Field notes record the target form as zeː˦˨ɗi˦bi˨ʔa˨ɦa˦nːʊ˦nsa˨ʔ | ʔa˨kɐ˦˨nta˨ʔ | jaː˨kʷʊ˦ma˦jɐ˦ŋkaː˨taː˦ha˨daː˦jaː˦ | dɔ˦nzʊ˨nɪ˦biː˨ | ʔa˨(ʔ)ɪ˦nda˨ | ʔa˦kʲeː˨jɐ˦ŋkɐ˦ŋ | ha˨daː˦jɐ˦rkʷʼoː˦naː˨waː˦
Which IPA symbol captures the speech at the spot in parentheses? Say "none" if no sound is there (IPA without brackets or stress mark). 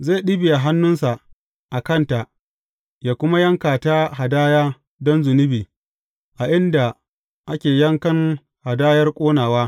ʔ